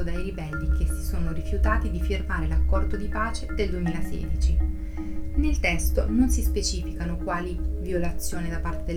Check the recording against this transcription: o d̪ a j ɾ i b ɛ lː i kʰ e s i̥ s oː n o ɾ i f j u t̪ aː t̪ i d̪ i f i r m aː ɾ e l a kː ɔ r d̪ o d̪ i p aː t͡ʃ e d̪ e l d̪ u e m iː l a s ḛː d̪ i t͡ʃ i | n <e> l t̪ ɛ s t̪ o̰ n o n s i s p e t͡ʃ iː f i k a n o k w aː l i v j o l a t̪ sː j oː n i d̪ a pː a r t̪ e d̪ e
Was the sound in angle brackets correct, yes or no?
yes